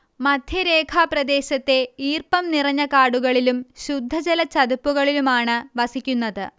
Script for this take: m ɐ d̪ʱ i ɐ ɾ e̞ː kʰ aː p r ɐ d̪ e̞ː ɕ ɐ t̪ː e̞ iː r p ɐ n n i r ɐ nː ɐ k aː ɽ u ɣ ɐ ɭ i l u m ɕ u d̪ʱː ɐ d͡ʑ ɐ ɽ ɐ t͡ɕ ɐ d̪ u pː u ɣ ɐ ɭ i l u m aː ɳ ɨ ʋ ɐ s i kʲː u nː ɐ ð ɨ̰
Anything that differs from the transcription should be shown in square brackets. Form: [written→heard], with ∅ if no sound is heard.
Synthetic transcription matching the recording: m ɐ d̪ʱ [i→j] ɐ ɾ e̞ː kʰ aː p r ɐ d̪ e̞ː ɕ ɐ t̪ː e̞ iː r p ɐ [n→m] n i r ɐ [nː→ɲː] ɐ k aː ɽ u ɣ ɐ ɭ i l u m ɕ u d̪ʱː ɐ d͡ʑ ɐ [ɽ→l] ɐ t͡ɕ ɐ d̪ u pː u ɣ ɐ ɭ i l u m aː ɳ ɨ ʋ ɐ s i kʲː u nː ɐ ð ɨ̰